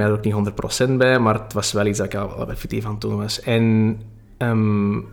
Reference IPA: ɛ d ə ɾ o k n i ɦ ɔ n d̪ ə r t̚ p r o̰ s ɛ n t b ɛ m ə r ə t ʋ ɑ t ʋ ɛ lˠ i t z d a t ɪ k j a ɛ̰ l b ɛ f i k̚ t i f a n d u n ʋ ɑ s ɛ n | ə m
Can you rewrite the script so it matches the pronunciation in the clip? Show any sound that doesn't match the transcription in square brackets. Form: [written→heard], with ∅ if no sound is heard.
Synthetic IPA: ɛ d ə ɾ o k n i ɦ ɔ n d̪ ə r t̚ p r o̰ s ɛ n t b ɛ m [ə→a] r ə t ʋ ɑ [t→s] ʋ ɛ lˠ i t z d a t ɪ k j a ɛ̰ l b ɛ f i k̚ t i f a n [d→t] u n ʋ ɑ s ɛ n | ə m